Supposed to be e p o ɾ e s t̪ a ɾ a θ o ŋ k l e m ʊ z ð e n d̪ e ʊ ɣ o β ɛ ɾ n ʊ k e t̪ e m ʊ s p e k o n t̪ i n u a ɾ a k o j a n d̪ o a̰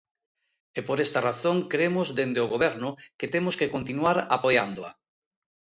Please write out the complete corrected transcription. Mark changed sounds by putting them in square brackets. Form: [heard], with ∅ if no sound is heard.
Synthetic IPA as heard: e p o ɾ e s t̪ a [r] a θ o ŋ k [ɾ] e m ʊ z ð e n d̪ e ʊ ɣ o β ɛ ɾ n ʊ k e t̪ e m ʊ s [k] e k o n t̪ i n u a ɾ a [p] o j a n d̪ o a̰